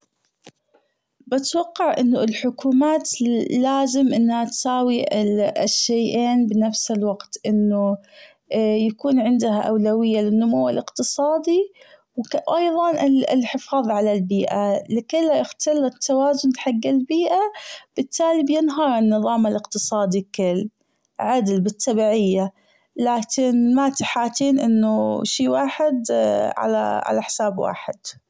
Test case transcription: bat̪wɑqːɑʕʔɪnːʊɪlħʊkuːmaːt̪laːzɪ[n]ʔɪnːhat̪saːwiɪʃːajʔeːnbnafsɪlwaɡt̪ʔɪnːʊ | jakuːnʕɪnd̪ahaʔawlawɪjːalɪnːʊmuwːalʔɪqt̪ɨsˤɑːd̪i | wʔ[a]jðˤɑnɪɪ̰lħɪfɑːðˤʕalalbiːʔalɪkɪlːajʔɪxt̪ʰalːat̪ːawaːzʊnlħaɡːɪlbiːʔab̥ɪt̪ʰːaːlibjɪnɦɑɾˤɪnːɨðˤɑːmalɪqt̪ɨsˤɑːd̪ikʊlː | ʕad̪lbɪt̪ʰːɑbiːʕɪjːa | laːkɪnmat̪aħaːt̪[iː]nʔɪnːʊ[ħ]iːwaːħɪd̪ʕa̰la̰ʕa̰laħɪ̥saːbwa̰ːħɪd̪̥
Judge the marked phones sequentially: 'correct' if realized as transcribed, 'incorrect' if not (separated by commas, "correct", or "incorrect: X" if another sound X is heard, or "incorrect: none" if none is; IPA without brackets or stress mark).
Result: incorrect: m, incorrect: ɑ, correct, incorrect: ʃ